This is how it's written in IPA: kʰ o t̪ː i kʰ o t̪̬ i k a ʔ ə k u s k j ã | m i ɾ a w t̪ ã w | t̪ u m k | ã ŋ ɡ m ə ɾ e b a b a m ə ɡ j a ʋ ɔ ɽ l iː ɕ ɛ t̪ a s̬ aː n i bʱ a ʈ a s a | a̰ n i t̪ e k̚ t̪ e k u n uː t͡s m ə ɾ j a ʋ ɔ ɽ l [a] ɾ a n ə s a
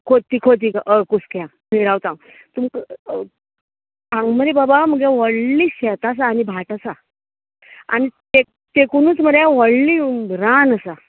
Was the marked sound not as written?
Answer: yes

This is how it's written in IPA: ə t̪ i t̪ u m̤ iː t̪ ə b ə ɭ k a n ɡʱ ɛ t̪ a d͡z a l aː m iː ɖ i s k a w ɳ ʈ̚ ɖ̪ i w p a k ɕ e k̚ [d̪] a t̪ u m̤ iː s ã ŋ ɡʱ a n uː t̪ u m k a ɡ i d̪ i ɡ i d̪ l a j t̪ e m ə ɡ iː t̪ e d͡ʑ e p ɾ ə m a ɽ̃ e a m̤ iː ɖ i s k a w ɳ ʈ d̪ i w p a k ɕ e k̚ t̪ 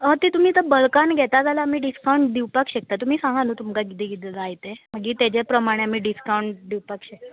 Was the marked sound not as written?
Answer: yes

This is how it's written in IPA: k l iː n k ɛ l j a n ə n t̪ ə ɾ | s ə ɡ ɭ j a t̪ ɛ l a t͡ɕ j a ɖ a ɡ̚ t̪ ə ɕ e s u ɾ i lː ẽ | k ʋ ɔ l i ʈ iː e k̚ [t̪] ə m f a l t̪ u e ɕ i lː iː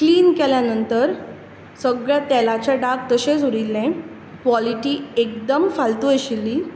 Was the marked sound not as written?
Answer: yes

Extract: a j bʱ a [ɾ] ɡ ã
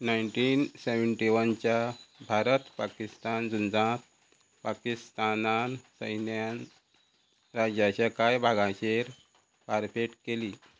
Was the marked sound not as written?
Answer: yes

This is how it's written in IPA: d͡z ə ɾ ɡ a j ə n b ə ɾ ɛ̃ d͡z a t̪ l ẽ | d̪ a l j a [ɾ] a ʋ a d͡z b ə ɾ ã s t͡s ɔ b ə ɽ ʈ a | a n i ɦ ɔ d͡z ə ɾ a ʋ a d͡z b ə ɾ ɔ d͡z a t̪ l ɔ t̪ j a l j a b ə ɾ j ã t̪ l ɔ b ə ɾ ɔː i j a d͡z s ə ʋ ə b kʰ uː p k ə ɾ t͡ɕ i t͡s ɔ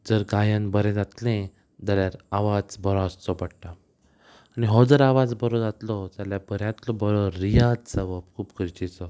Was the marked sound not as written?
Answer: no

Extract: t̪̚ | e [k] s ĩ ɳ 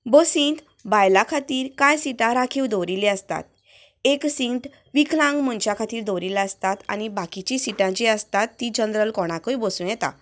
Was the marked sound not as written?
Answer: no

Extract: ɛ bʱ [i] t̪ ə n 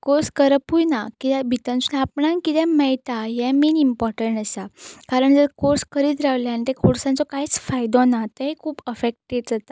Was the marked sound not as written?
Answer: no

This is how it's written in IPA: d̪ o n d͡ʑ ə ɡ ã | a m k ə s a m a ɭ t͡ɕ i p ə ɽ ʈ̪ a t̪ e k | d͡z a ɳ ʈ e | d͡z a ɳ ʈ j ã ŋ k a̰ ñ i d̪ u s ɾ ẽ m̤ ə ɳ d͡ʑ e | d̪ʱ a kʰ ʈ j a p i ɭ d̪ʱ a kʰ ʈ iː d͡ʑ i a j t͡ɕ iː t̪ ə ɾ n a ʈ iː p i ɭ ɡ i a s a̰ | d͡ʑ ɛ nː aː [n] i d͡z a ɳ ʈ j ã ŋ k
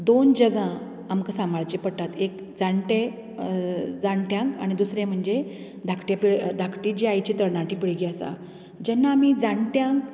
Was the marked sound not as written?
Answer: yes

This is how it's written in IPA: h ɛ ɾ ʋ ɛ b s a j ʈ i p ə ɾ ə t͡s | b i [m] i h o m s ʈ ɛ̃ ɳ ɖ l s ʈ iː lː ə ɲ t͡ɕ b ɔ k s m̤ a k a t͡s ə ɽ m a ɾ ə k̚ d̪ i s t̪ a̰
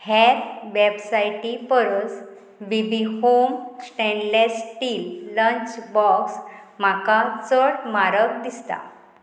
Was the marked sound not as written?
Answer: yes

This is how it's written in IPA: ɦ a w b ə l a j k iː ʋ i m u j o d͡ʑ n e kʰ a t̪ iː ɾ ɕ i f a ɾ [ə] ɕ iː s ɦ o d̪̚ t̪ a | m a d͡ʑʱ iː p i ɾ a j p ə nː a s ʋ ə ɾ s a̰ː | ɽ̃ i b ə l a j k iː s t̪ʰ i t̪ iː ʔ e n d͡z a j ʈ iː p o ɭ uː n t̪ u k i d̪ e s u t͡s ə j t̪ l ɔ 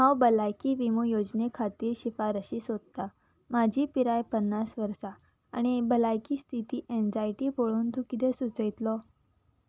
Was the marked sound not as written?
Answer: no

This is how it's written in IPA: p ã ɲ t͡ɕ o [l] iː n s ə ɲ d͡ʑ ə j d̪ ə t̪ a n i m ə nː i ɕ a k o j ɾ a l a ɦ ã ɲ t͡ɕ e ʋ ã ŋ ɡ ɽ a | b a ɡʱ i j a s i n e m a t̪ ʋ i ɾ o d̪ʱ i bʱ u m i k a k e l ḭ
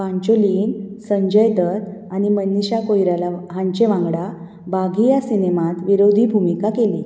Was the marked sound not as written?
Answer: no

